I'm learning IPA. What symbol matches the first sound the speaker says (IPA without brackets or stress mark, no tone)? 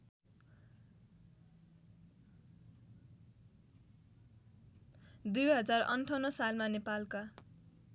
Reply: d̪